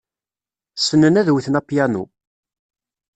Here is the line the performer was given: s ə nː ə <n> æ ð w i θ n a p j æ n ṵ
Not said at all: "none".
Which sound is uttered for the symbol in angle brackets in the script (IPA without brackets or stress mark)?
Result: n